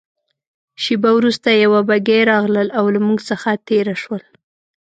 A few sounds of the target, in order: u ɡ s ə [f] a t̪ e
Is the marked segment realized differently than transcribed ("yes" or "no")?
yes